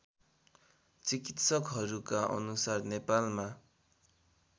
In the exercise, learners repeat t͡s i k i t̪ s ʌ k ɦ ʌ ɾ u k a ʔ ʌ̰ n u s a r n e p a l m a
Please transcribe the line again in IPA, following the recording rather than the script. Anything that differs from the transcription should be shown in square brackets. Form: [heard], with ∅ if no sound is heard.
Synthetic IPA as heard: t͡s i k i t̪ s ʌ k ɦ ʌ ɾ u k a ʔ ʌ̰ n u s a r n e p a l m a